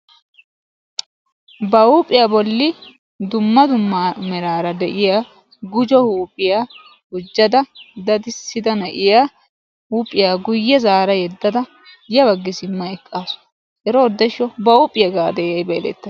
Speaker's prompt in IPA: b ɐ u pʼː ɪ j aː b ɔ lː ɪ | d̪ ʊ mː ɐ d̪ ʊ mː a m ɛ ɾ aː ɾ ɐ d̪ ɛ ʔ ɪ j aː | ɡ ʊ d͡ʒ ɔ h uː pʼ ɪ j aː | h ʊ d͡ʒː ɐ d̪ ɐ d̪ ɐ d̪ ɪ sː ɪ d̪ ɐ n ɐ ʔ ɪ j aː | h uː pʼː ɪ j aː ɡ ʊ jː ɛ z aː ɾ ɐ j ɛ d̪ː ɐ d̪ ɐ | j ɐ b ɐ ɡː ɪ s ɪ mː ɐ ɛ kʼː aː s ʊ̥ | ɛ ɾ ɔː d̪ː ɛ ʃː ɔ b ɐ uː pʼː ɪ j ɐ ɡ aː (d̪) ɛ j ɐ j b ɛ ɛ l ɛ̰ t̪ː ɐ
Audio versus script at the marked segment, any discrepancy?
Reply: no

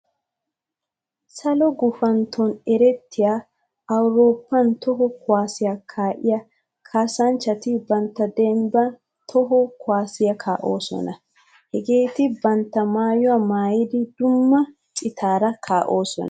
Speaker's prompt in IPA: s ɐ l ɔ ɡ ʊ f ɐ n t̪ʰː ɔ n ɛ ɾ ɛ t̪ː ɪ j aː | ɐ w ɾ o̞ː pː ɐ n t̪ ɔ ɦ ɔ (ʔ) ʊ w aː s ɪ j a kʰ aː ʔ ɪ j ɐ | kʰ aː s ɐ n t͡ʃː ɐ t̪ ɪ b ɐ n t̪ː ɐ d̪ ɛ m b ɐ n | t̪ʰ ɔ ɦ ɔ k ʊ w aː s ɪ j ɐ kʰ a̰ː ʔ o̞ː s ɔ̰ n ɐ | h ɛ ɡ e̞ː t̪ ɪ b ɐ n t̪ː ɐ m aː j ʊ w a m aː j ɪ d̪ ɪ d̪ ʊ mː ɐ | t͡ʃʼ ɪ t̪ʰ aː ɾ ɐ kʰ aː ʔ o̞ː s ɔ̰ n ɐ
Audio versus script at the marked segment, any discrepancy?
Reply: yes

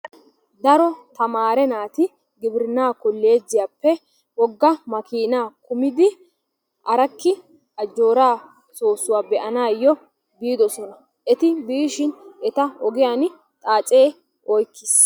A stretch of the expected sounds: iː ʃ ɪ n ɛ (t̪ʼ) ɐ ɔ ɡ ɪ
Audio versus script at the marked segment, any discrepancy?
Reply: yes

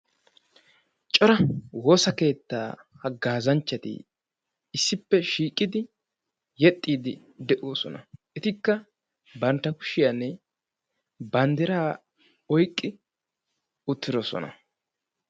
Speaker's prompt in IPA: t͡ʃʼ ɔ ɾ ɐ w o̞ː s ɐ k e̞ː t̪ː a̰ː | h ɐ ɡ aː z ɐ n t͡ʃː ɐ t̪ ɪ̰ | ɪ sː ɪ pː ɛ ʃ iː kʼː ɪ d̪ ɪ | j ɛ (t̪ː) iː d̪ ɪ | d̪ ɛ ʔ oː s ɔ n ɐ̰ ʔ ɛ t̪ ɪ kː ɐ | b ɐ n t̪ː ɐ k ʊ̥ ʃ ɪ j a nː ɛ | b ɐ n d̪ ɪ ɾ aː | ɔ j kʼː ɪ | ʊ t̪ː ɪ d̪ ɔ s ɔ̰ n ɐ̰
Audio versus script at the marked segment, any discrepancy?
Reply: yes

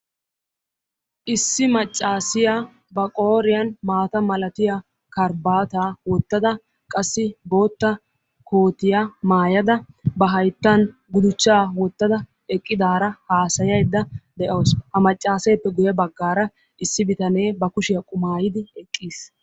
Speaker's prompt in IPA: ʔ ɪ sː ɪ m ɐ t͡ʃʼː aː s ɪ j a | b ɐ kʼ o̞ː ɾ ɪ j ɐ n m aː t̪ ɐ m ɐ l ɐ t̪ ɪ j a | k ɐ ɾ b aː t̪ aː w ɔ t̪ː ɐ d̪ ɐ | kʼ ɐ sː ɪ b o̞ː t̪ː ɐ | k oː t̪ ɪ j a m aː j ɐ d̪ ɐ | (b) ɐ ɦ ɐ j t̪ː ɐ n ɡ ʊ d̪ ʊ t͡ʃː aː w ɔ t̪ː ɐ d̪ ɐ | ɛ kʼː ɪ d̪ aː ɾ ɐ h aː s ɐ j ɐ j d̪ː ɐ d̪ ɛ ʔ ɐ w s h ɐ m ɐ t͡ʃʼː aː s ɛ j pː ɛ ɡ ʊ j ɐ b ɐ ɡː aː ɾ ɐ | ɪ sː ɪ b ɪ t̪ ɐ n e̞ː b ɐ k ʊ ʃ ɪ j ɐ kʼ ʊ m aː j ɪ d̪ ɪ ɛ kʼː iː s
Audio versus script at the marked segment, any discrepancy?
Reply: no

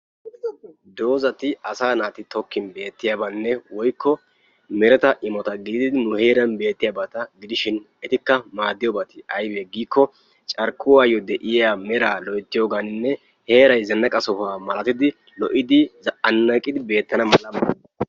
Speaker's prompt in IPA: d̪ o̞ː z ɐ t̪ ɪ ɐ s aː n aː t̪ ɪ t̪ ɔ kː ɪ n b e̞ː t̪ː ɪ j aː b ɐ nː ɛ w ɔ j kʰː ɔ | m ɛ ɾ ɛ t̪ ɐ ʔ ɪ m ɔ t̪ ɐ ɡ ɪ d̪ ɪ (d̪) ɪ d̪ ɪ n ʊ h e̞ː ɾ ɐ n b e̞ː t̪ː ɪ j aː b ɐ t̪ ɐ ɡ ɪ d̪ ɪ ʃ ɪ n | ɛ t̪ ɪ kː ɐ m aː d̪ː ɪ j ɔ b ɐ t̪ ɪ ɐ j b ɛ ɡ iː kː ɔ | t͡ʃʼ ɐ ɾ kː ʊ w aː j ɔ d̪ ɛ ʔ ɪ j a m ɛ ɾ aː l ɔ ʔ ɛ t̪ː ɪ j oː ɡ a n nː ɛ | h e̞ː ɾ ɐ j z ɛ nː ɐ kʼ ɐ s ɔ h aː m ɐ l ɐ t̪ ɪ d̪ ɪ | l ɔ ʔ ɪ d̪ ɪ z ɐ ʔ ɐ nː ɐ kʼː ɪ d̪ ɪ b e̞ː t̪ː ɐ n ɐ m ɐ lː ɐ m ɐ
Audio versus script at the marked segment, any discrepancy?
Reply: no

